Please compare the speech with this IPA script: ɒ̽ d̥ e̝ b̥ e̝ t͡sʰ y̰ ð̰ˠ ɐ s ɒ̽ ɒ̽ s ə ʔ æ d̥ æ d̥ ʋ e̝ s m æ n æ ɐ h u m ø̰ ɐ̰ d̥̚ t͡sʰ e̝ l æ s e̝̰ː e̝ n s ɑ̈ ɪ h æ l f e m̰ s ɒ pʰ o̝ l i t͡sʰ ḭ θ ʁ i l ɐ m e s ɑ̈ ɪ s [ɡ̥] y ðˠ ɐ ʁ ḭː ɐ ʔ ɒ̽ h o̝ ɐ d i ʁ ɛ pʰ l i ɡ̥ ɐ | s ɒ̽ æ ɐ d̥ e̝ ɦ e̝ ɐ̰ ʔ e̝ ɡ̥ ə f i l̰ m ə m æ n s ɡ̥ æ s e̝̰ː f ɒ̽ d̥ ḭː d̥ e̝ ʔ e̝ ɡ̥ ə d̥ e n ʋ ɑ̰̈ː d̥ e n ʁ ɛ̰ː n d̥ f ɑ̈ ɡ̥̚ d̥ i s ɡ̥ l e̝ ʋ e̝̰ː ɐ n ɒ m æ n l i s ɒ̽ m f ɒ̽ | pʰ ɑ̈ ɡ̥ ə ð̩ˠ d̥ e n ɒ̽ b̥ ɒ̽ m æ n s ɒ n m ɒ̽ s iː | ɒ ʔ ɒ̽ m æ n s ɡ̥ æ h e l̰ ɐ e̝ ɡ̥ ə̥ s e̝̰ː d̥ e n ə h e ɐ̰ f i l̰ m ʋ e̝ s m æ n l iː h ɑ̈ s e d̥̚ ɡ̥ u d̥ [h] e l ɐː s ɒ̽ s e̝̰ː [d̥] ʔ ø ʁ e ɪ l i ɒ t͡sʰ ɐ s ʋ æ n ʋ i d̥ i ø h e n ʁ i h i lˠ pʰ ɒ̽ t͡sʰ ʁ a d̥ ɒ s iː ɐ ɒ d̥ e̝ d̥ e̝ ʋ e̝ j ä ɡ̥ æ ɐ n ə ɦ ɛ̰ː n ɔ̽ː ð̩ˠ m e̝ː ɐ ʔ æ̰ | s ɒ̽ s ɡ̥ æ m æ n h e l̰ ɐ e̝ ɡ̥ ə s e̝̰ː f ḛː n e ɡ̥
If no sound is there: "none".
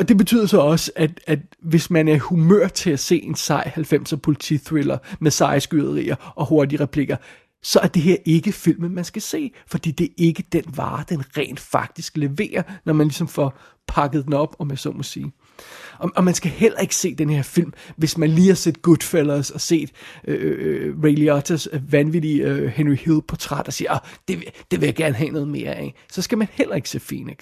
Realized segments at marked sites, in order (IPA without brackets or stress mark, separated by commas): ɡ̥, f, d̥